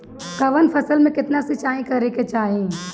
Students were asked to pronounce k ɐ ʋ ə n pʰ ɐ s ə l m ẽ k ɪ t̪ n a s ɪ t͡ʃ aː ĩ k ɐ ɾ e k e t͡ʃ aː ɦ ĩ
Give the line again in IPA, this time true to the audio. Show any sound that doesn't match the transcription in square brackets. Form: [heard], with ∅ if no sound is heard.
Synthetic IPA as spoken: k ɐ ʋ ə n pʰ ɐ s ə l m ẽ k ɪ t̪ n a s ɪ t͡ʃ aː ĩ k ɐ ɾ e k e t͡ʃ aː ɦ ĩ